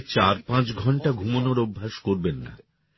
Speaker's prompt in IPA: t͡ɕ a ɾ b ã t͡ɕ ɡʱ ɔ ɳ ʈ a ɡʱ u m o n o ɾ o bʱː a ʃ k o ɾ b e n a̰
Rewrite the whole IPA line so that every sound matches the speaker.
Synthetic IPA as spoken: t͡ɕ a ɾ p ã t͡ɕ ɡʱ ɔ ɳ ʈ a ɡʱ u m o n o ɾ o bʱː a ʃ k o ɾ b e nː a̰